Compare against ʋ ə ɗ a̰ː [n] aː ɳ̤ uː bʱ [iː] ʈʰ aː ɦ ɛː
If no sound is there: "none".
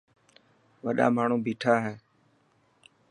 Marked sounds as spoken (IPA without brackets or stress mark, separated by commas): m, iː